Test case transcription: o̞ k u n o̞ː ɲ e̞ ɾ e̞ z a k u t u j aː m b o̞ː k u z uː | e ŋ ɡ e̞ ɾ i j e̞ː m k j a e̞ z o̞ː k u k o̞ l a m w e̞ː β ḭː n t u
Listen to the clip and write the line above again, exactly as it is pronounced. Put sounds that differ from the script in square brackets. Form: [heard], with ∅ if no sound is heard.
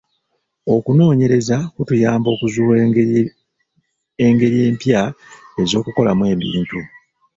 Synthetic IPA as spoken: o̞ k u n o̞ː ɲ e̞ ɾ e̞ z a k u t u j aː m b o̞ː k u z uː | e ŋ ɡ e̞ ɾ i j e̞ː m [p] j a e̞ z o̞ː k u k o̞ l a m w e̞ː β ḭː n t u